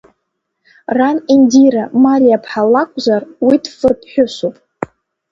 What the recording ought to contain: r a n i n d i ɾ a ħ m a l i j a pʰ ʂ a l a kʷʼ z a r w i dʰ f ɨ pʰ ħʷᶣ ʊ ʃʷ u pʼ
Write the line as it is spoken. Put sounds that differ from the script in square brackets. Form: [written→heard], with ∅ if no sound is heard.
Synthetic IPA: r a n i n d i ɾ a [ħ→∅] m a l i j a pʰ [ʂ→ħ] a l a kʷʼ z a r w i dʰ f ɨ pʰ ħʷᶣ ʊ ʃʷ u pʼ

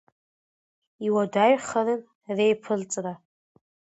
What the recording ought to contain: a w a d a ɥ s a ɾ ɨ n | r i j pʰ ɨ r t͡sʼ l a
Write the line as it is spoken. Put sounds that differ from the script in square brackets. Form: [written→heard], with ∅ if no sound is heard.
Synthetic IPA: [a→i] w a d a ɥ [s→χ] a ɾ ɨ n | r [i→e] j pʰ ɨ [r→l] t͡sʼ [l→r] a

